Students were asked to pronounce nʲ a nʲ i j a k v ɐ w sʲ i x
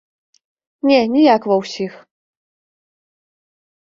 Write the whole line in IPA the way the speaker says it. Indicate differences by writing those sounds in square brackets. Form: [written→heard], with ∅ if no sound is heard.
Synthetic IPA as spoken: nʲ [a→ɛ] nʲ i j a k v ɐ w sʲ i x